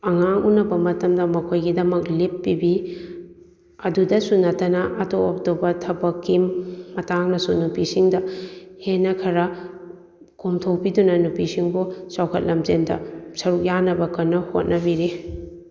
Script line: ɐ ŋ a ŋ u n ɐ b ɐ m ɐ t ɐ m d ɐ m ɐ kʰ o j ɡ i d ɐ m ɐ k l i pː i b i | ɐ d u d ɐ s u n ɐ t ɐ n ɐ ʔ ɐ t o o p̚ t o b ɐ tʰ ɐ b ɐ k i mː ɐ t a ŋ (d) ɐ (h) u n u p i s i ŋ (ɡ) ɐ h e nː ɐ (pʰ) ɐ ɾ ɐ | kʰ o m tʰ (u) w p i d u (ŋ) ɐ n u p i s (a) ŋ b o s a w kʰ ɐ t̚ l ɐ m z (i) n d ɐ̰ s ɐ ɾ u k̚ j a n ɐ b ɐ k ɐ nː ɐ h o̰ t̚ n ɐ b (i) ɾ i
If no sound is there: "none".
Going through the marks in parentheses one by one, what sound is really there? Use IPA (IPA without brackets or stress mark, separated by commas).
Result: n, s, d, kʰ, o, n, i, e, i